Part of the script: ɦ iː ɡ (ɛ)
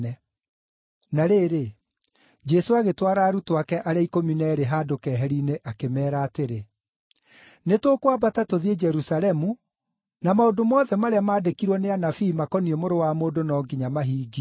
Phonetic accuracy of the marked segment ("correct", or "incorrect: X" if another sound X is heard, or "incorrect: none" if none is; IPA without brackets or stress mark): incorrect: i